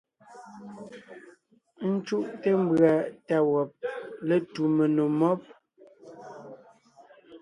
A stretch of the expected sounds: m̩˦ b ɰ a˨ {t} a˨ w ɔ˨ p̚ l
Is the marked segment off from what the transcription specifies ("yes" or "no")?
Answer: no